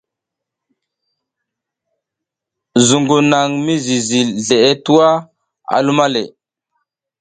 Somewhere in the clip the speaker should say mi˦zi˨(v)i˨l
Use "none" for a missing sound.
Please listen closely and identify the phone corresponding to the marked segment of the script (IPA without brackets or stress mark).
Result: z